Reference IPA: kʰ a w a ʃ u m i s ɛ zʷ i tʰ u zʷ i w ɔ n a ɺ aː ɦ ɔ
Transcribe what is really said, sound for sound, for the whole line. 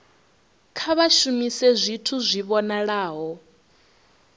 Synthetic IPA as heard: kʰ a β a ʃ u m i s ɛ zʷ i tʰ u zʷ i β ɔ n a ɺ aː ɦ ɔ